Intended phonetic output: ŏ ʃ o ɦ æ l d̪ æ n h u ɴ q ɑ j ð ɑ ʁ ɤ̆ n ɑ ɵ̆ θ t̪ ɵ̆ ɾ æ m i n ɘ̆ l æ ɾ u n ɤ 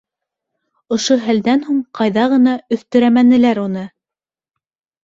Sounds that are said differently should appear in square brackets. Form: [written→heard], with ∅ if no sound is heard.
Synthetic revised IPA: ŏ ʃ o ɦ æ l d̪ æ n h u ɴ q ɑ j ð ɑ ʁ ɤ̆ n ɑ ɵ̆ θ t̪ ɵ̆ ɾ æ m [i→æ] n ɘ̆ l æ ɾ u n ɤ